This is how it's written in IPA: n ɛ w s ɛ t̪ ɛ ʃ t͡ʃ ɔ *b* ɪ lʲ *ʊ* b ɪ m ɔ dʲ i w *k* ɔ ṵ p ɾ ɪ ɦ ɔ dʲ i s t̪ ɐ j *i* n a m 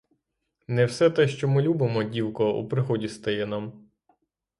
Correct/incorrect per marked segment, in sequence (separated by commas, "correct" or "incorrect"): incorrect, incorrect, correct, incorrect